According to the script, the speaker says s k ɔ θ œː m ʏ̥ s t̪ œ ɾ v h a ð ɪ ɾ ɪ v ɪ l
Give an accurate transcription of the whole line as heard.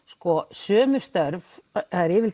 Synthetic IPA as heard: s k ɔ s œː m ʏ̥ s t̪ œ ɾ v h a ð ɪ ɾ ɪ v ɪ l

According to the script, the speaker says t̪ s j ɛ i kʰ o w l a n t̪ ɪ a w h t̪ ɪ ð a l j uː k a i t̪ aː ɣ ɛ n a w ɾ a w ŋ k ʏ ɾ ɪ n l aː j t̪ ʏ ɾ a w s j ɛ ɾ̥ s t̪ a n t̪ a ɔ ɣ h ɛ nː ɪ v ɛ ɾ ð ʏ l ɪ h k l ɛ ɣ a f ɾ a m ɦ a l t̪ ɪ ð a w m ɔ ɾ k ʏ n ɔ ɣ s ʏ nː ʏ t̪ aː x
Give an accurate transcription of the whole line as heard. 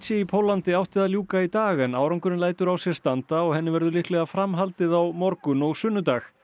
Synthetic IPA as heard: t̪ s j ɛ i pʰ o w l a n t̪ ɪ a w h t̪ ɪ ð a l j uː k a i t̪ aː ɣ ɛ n a w ɾ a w ŋ k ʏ ɾ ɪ n l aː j t̪ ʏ ɾ a w s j ɛ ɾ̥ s t̪ a n t̪ a ɔ ɣ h ɛ nː ɪ v ɛ ɾ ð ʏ l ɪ h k l ɛ ɣ a f ɾ a m ɦ a l t̪ ɪ ð a w m ɔ ɾ k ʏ n ɔ ɣ s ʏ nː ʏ t̪ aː x

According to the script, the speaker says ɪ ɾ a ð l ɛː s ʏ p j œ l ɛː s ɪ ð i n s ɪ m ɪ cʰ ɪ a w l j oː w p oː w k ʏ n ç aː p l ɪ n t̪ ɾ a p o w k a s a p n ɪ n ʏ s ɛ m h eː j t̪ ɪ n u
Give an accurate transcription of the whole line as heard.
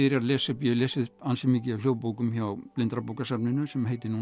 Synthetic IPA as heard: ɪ ɾ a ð l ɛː s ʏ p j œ l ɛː s ɪ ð a n s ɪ m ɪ c ɪ a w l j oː w p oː w k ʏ m ç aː p l ɪ n t̪ ɾ a p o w k a s a p n ɪ n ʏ s ɛ m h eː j t̪ ɪ n u

